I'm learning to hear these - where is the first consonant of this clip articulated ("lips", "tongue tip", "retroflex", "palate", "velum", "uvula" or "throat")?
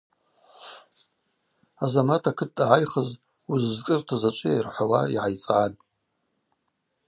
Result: tongue tip